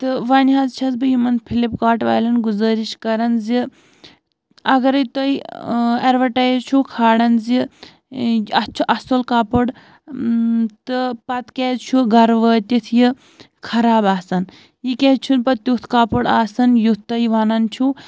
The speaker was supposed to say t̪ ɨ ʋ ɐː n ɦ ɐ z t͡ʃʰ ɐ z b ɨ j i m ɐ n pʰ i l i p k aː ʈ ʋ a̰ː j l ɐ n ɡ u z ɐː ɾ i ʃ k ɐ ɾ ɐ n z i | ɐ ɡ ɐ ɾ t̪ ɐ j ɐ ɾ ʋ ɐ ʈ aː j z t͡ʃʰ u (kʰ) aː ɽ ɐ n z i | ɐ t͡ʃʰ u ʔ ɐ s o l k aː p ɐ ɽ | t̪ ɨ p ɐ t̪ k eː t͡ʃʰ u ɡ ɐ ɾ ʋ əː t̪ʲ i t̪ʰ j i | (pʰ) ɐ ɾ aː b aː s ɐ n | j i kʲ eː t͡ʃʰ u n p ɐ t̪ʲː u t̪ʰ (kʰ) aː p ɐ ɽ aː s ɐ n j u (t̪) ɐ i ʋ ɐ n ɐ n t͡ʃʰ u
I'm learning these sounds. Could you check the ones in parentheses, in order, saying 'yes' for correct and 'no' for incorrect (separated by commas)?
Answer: yes, no, no, yes